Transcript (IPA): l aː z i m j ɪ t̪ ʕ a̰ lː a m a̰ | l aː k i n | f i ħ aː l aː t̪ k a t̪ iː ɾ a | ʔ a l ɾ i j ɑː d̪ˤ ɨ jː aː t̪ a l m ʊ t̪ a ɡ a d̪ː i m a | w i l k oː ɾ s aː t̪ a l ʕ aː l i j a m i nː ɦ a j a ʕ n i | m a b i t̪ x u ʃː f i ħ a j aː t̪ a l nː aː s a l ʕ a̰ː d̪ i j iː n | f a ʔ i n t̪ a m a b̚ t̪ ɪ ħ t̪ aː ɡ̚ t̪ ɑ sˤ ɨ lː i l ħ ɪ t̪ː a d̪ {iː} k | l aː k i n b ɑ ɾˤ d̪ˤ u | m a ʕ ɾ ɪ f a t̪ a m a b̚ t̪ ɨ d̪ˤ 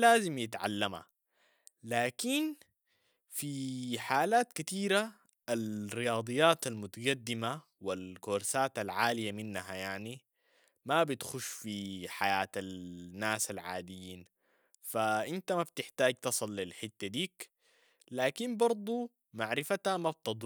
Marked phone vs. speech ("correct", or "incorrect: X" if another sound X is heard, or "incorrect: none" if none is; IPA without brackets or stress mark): correct